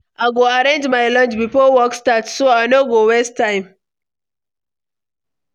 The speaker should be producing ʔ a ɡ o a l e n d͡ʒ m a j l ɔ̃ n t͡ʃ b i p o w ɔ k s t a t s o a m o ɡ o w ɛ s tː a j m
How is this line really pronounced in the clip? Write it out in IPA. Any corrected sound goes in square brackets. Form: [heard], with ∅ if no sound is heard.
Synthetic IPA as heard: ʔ a ɡ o a [ɾ] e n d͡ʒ m a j l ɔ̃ n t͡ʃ b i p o w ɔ k s t a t s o a [n] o ɡ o w ɛ s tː a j m